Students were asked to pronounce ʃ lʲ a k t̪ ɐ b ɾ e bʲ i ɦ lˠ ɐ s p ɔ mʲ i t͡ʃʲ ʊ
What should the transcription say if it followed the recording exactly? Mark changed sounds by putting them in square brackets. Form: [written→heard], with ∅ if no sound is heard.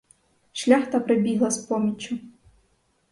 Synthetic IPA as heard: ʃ lʲ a [k→x] t̪ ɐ [b→p] ɾ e bʲ i ɦ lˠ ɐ s p ɔ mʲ i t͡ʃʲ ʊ